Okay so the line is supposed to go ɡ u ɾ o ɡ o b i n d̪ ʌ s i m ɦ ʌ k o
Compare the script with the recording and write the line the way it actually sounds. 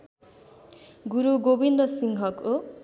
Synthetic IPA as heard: ɡ u ɾ u ɡ o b i n d̪ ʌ s i ŋ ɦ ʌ k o

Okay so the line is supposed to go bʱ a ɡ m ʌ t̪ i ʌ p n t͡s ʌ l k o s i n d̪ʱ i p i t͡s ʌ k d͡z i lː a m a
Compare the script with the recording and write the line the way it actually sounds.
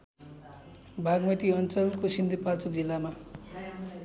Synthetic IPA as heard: bʱ a ɡ m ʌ t̪ i ʌ n t͡s ʌ l k o s i n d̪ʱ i p a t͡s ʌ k d͡z i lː a m a

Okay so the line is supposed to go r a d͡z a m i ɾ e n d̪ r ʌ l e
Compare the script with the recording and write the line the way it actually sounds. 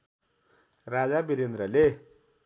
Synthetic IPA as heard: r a d͡z a b i ɾ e n d̪ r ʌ l e

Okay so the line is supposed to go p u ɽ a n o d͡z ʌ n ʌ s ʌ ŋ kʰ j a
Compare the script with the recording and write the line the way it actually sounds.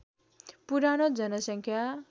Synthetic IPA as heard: p u ɾ a n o d͡z ʌ n ʌ s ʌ ŋ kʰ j a

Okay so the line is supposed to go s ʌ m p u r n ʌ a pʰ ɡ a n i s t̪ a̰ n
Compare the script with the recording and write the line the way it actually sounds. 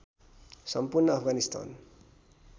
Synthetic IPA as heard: s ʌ m p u r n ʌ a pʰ ɡ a n i s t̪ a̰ n

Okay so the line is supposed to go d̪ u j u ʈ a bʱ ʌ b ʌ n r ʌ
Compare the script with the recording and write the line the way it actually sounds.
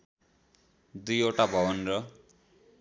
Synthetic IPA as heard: d̪ u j o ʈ a bʱ ʌ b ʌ n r ʌ

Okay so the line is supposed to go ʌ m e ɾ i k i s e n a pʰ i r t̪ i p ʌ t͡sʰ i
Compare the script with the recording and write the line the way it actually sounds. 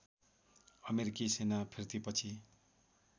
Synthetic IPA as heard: ʌ m e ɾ i k i s e n a pʰ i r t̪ i p ʌ t͡sʰ i

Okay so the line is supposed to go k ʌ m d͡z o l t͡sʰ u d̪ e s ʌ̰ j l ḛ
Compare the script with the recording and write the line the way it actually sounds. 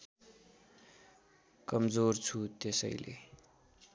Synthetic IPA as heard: k ʌ m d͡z o r t͡sʰ u t̪ e s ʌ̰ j l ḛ

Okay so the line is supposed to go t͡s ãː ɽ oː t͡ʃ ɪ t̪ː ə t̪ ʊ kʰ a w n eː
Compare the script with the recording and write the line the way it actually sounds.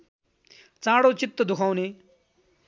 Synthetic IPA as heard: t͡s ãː ɽ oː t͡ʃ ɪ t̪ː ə d̪ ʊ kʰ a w n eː

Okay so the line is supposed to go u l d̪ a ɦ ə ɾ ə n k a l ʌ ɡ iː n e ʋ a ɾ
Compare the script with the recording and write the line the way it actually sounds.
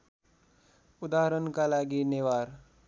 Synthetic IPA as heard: u d̪ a ɦ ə ɾ ə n k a l a ɡ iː n e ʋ a ɾ

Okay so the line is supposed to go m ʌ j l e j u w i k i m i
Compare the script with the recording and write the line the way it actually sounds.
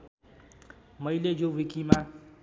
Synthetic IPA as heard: m ʌ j l e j o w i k i m a

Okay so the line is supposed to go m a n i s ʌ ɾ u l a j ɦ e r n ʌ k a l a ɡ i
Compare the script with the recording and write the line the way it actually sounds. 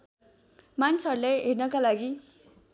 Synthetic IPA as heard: m a n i s ʌ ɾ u l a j ɦ e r n ʌ k a l a ɡ i

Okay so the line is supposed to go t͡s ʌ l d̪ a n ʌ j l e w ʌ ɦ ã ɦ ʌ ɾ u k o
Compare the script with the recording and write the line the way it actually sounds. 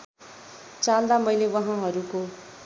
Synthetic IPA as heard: t͡s a l d̪ a m ʌ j l e w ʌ ɦ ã ɦ ʌ ɾ u k o

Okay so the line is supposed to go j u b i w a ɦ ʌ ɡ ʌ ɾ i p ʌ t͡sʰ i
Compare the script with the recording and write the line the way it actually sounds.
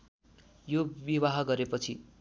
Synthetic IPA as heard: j o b i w a ɦ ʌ ɡ ʌ ɾ e p ʌ t͡sʰ i

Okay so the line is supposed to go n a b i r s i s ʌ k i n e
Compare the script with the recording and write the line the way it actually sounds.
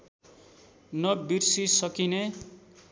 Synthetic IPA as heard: n ʌ b i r s i s ʌ k i n e

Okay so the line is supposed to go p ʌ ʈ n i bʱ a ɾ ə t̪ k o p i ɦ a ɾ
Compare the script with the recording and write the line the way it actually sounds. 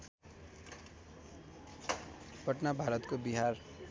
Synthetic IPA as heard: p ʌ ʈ n a bʱ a ɾ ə t̪ k o b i ɦ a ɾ

